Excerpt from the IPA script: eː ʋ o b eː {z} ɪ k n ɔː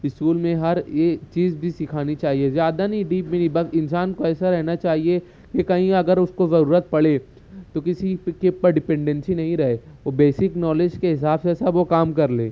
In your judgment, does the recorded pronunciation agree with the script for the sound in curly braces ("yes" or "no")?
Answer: no